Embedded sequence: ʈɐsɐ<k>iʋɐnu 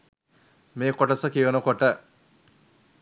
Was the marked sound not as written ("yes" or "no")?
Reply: no